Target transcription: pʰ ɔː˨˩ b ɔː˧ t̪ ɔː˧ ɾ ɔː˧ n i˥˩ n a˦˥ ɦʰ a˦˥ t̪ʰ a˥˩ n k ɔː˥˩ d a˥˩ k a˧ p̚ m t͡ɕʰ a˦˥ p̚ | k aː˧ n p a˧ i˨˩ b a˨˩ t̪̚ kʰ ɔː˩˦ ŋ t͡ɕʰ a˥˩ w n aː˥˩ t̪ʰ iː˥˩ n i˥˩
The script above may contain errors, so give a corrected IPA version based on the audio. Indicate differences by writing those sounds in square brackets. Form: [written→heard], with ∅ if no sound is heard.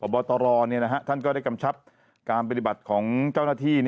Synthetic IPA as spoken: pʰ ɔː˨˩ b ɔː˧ t̪ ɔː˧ ɾ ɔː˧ n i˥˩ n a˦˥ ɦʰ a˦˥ t̪ʰ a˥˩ n k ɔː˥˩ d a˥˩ k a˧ [p̚→∅] m t͡ɕʰ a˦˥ p̚ | k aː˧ n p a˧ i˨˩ b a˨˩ t̪̚ kʰ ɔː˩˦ ŋ [t͡ɕʰ→t͡ɕ] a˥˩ w n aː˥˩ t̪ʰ iː˥˩ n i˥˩